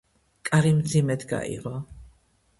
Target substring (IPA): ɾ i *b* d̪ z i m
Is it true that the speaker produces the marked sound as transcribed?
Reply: no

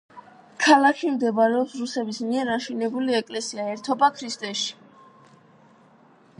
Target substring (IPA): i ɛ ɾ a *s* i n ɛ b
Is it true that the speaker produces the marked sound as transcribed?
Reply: no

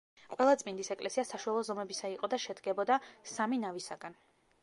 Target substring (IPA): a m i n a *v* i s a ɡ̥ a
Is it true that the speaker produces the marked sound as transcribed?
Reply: yes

